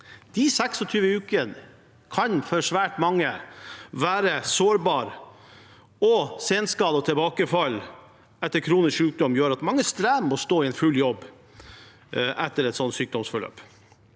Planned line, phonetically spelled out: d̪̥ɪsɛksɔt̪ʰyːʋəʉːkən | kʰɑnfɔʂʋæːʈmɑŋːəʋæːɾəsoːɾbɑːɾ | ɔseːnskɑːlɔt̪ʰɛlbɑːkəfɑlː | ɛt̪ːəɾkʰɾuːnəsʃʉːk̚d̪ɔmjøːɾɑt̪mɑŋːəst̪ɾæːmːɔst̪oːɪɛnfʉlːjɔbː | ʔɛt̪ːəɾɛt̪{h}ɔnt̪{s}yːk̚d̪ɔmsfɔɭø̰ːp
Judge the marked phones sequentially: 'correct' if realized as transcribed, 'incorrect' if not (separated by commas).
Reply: incorrect, correct